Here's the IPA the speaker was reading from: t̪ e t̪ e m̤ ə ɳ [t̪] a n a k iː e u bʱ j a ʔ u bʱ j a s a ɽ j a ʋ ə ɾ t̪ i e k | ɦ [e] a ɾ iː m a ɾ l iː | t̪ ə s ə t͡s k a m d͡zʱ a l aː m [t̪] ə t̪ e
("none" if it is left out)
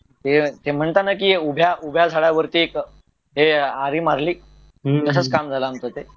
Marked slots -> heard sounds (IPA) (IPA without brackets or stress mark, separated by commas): t̪, e, t̪